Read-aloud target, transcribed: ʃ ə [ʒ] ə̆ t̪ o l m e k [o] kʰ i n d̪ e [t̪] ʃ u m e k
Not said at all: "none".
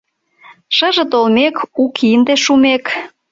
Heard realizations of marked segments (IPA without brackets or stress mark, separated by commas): ʒ, u, none